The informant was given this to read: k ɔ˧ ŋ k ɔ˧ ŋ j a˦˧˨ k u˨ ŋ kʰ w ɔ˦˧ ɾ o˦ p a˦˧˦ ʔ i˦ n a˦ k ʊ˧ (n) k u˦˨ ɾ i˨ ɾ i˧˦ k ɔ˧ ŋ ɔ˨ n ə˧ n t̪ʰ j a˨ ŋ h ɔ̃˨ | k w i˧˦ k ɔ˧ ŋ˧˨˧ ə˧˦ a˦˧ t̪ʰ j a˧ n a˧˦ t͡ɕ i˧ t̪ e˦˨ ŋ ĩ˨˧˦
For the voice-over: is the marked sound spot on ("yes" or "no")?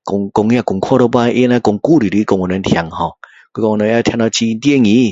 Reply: no